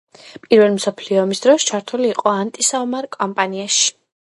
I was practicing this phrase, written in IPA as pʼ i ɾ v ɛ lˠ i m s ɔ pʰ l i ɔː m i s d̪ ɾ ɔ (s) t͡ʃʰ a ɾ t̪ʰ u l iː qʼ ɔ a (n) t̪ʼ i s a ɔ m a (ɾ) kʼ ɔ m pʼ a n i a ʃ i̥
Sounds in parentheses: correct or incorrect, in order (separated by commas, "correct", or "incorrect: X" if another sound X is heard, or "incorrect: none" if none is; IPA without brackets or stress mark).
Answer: correct, correct, correct